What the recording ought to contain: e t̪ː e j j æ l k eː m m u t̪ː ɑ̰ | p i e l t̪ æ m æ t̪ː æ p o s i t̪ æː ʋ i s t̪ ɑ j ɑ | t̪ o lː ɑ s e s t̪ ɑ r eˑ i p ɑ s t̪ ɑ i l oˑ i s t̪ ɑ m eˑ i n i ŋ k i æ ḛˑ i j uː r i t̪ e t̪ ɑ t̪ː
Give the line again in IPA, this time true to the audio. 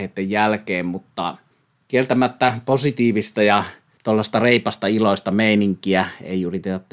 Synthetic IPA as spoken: e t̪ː e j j æ l k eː m m u t̪ː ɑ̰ | k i e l t̪ æ m æ t̪ː æ p o s i t̪ iː ʋ i s t̪ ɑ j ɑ | t̪ o lː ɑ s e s t̪ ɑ r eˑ i p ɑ s t̪ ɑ i l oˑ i s t̪ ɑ m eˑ i n i ŋ k i æ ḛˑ i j u r i t̪ e t̪ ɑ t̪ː